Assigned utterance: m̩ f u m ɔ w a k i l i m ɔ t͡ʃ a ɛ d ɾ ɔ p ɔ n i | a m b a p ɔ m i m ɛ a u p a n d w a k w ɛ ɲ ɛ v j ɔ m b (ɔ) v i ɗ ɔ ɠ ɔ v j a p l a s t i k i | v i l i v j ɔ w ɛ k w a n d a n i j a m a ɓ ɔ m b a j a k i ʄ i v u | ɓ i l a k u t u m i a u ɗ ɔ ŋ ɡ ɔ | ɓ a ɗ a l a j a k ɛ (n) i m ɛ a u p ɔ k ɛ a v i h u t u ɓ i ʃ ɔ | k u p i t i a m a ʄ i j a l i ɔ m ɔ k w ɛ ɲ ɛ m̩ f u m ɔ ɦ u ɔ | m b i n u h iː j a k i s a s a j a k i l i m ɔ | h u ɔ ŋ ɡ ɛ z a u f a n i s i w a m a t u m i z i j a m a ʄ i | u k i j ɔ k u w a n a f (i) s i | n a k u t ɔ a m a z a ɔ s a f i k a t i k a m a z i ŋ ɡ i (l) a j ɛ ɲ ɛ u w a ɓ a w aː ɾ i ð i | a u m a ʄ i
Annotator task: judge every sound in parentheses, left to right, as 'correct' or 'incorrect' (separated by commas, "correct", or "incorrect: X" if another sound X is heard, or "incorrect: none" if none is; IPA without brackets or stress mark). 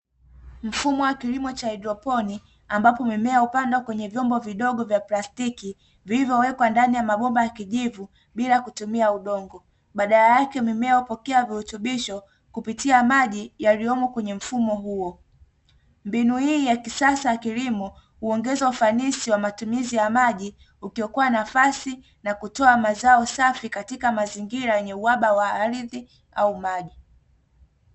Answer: correct, incorrect: m, incorrect: a, incorrect: ɾ